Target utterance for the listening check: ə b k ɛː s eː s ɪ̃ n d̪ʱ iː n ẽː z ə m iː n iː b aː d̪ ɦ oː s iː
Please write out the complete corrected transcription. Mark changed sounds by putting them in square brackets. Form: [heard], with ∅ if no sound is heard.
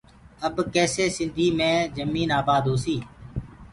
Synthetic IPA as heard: ə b k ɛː s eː s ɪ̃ n d̪ʱ iː [m] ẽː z ə m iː n [aː] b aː d̪ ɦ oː s iː